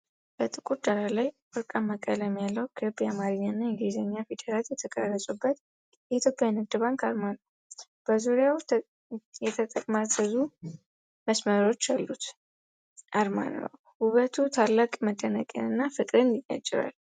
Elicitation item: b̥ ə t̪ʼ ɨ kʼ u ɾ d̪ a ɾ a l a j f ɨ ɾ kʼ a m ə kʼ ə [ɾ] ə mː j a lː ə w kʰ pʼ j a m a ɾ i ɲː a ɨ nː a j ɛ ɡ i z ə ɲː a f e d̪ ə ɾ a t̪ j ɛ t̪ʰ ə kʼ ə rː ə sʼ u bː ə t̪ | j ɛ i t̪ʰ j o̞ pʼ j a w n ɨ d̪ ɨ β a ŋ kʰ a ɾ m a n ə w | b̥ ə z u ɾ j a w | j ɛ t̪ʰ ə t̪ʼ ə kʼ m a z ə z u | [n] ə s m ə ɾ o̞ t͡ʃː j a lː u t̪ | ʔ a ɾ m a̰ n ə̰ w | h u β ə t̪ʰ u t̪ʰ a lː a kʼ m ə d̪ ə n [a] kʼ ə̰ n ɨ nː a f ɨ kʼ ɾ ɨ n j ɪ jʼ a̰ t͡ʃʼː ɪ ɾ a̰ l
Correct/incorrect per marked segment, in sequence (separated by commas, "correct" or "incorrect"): incorrect, incorrect, incorrect